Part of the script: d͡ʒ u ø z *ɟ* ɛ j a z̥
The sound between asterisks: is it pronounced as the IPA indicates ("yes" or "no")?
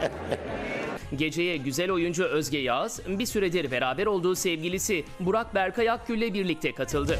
yes